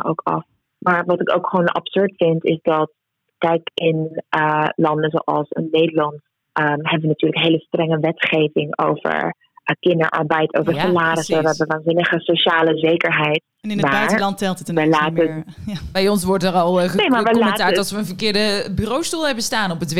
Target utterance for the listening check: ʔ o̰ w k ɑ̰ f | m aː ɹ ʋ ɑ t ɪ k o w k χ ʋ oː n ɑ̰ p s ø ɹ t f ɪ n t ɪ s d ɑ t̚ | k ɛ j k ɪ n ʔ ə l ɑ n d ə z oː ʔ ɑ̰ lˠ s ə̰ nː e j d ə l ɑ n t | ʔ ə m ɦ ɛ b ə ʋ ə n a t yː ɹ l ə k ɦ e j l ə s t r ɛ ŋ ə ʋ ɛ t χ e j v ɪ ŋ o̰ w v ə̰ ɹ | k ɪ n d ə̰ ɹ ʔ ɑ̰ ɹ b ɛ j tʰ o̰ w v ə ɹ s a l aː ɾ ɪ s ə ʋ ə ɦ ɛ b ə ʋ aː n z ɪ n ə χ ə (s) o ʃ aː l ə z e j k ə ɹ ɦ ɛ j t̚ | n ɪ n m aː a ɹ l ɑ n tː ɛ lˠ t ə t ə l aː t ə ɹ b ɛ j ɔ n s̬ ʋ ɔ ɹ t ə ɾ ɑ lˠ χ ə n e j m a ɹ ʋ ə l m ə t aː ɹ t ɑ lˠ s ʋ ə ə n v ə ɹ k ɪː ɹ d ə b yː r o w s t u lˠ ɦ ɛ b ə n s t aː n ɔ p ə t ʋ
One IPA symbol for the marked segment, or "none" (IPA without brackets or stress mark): s